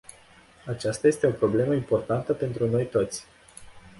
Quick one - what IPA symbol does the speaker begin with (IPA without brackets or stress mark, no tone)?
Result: a